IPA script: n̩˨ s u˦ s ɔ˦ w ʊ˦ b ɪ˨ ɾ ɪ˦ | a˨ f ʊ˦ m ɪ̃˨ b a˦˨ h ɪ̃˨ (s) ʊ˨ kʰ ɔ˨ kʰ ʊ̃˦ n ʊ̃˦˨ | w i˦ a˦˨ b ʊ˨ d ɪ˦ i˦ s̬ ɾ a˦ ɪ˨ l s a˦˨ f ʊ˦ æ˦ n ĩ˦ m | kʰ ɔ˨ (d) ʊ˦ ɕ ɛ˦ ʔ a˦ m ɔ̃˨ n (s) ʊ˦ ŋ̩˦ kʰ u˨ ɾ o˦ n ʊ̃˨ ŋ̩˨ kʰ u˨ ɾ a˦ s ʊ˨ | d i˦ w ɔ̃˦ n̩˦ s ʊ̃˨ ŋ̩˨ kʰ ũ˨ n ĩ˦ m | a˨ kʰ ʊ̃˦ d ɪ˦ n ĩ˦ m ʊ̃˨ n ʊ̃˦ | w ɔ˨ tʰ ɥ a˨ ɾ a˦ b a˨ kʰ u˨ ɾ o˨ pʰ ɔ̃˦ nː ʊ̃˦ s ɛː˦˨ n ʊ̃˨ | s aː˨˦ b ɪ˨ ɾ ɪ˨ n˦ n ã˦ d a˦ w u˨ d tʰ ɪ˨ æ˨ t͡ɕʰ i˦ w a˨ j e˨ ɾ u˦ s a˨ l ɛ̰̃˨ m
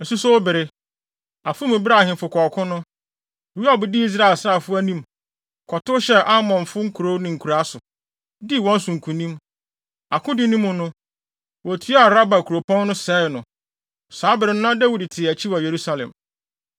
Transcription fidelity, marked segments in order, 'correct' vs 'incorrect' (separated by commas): incorrect, incorrect, incorrect